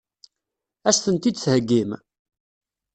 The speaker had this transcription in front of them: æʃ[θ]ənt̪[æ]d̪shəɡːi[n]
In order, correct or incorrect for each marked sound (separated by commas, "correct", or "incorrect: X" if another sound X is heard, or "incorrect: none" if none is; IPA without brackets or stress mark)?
correct, incorrect: i, incorrect: m